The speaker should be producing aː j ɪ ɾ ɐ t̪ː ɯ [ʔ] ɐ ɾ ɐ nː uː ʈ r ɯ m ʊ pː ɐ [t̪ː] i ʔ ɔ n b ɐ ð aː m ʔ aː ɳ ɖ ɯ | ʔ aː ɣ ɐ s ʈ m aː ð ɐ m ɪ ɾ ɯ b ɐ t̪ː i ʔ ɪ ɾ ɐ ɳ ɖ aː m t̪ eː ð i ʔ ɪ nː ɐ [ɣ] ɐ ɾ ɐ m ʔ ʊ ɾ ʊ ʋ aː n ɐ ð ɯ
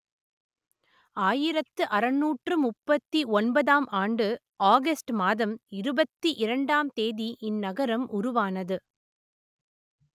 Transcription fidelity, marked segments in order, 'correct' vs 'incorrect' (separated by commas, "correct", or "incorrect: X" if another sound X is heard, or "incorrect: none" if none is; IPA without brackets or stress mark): correct, correct, correct